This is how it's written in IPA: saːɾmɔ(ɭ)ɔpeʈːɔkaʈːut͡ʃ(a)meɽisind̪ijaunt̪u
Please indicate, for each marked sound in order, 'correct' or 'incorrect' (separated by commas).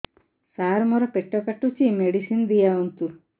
incorrect, incorrect